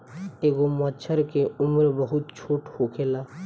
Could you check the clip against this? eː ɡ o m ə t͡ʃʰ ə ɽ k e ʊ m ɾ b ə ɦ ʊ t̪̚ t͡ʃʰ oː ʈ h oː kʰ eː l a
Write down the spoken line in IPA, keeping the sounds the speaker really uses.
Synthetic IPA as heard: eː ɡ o m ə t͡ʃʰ ə ɾ k e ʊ m ɾ b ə ɦ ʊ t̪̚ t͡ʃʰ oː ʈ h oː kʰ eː l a